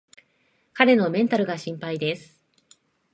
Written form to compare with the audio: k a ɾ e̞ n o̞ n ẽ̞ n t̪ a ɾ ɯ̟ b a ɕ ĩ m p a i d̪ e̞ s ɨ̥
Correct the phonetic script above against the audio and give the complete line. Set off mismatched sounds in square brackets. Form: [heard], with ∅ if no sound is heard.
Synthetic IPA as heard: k a ɾ e̞ n o̞ [m] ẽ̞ n t̪ a ɾ ɯ̟ [ɡ] a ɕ ĩ m p a i d̪ e̞ s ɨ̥